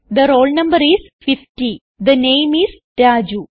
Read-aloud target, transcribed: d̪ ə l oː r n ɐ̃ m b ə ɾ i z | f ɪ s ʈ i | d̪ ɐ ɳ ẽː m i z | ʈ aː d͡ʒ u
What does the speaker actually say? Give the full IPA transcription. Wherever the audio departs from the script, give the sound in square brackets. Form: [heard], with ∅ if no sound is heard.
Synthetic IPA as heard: d̪ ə [ɾ] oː [l] n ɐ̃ m b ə ɾ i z | f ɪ [f] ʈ i | d̪ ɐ [n] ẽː m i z | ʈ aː d͡ʒ u

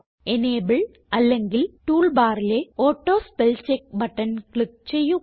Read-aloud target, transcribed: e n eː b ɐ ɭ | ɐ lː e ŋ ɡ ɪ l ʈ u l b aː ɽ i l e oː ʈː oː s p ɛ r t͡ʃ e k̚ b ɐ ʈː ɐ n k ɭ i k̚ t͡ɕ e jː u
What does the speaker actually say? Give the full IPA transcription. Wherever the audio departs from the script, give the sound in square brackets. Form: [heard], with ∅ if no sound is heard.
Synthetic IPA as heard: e n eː b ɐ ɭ | ɐ lː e ŋ ɡ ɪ l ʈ [uː] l b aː [ɾ] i l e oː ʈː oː s p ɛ [l] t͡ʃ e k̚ b ɐ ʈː ɐ n k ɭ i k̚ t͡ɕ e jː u

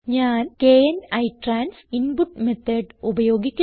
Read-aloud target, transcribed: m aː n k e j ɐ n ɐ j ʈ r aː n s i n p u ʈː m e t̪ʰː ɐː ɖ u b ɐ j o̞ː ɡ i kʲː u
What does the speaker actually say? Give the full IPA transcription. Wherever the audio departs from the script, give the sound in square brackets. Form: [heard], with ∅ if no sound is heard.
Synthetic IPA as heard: [ɲ] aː n k e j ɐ n ɐ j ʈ r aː n s i n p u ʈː m e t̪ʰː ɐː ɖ u b ɐ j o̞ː ɡ i kʲː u

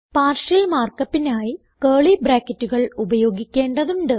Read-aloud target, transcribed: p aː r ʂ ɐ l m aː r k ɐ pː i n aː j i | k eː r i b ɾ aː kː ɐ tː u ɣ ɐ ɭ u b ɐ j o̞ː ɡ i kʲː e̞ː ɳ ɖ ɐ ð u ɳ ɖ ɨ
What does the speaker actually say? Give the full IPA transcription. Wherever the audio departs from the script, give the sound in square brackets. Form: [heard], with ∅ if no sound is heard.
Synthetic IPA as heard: p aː r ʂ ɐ l m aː r k ɐ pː i n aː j i | k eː [ɭ] i b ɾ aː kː ɐ tː u ɣ ɐ ɭ u b ɐ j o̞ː ɡ i kʲː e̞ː ɳ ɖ ɐ ð u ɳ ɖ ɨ

